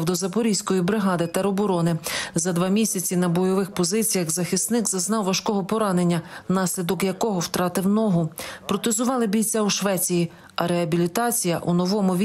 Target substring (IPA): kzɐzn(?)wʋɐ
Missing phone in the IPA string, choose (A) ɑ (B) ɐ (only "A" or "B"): A